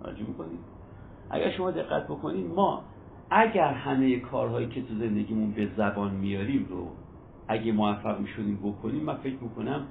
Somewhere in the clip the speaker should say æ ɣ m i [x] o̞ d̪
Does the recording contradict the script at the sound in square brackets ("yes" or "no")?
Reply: yes